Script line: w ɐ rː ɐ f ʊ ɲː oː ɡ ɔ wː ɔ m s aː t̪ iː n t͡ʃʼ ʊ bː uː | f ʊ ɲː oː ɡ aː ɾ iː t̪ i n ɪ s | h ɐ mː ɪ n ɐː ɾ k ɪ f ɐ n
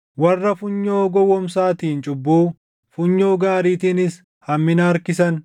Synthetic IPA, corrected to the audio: w ɐ rː ɐ f ʊ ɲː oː ɡ ɔ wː ɔ m s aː t̪ iː n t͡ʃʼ ʊ bː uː | f ʊ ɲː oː ɡ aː ɾ iː t̪ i n ɪ s | h ɐ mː ɪ n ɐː ɾ k ɪ s ɐ n

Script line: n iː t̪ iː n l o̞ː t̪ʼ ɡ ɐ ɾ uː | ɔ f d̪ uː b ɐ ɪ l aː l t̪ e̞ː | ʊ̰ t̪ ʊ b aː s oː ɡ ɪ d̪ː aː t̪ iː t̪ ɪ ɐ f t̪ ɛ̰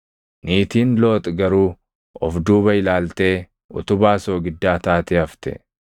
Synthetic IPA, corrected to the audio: n iː t̪ iː n l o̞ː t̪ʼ ɡ ɐ ɾ uː | ɔ f d̪ uː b ɐ ɪ l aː l t̪ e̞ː | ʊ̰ t̪ ʊ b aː s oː ɡ ɪ d̪ː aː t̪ aː t̪ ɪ ɐ f t̪ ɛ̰

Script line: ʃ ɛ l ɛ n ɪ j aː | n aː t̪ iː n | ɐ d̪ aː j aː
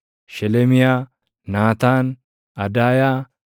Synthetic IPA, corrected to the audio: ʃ ɛ l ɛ m ɪ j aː | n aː t̪ aː n | ɐ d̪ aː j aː

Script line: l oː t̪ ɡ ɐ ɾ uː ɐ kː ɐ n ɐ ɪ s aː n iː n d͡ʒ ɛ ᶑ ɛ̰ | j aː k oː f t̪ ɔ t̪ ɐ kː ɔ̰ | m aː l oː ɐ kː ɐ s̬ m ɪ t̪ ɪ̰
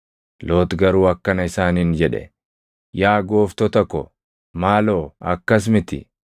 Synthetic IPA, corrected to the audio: l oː t̪ ɡ ɐ ɾ uː ɐ kː ɐ n ɐ ɪ s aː n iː n d͡ʒ ɛ ᶑ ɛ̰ | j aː ɡ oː f t̪ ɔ t̪ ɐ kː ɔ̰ | m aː l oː ɐ kː ɐ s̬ m ɪ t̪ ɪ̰

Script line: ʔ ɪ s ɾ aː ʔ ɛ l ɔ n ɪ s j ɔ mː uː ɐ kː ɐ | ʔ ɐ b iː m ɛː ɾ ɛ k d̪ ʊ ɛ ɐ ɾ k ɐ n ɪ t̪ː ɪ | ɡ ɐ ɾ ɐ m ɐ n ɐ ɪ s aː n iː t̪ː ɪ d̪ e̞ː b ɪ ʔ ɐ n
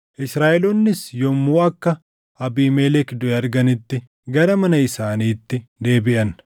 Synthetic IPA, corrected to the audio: ʔ ɪ s ɾ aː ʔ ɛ l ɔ nː ɪ s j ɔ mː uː ɐ kː ɐ | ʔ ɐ b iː m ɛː l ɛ k d̪ ʊ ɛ ɐ ɾ ɡ ɐ n ɪ t̪ː ɪ | ɡ ɐ ɾ ɐ m ɐ n ɐ ɪ s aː n iː t̪ː ɪ d̪ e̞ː b ɪ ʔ ɐ n

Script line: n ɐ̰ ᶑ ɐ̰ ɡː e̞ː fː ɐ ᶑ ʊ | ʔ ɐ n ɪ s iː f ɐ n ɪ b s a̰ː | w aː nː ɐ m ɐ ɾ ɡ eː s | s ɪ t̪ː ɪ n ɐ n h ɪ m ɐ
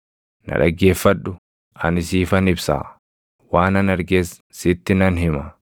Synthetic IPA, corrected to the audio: n ɐ̰ ᶑ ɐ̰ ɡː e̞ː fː ɐ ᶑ ʊ | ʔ ɐ n ɪ s iː f ɐ n ɪ b s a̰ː | w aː n ɐ n ɐ ɾ ɡ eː s | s ɪ t̪ː ɪ n ɐ n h ɪ m ɐ

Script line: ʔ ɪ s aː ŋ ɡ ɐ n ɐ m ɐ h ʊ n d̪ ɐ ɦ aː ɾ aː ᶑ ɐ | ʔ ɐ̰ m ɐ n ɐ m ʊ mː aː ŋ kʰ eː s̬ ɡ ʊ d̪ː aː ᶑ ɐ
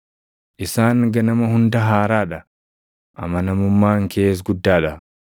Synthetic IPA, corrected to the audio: ʔ ɪ s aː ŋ ɡ ɐ n ɐ m ɐ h ʊ n d̪ ɐ ɦ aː ɾ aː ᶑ ɐ | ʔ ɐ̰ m ɐ n ɐ m ʊ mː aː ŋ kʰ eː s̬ ɡ ʊ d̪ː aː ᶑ ɐ

